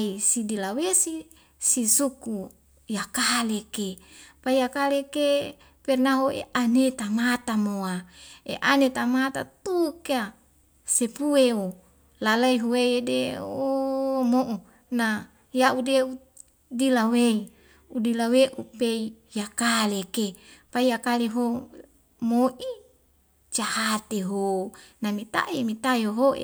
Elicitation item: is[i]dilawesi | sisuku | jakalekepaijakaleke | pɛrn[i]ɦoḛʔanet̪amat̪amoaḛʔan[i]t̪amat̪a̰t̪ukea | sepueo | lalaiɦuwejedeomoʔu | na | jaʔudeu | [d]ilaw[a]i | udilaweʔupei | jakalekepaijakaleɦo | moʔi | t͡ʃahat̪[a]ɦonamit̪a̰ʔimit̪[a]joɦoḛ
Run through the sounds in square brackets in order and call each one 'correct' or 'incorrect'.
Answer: correct, incorrect, incorrect, correct, incorrect, incorrect, correct

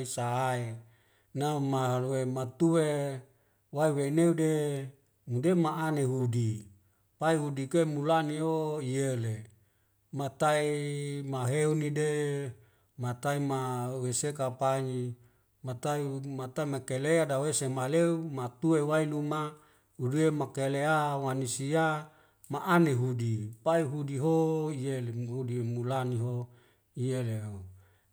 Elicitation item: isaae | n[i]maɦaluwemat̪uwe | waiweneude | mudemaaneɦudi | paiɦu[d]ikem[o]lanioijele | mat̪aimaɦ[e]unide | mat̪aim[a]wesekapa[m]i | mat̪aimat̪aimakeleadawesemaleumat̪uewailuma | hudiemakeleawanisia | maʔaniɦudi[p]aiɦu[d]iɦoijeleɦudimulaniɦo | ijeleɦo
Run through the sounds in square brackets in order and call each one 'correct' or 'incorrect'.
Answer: incorrect, correct, incorrect, correct, correct, incorrect, correct, correct

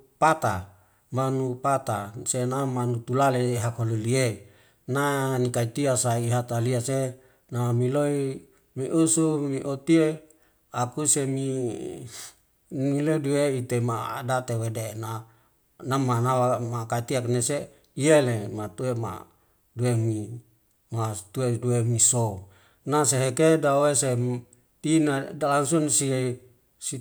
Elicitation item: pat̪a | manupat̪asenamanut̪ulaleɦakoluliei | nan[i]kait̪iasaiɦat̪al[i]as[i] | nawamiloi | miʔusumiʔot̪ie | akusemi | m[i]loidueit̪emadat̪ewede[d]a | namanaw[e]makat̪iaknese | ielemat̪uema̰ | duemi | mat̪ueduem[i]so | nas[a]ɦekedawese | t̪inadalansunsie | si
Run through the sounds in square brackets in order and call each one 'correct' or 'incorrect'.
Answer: correct, correct, incorrect, correct, incorrect, incorrect, correct, incorrect

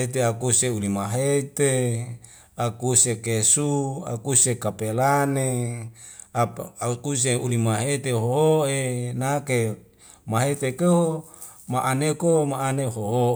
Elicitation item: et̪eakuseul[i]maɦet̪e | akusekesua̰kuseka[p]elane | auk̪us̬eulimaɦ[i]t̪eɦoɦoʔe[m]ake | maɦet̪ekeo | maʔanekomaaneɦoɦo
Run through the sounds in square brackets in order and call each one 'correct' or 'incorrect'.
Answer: correct, correct, incorrect, incorrect

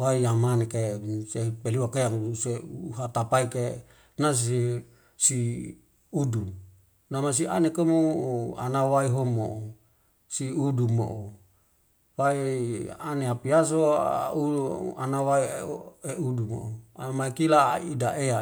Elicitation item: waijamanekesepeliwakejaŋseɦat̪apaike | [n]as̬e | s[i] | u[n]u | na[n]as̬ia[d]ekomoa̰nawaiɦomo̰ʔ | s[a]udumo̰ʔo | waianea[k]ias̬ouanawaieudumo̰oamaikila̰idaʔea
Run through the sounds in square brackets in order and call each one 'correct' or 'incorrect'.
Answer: correct, correct, incorrect, incorrect, incorrect, incorrect, incorrect

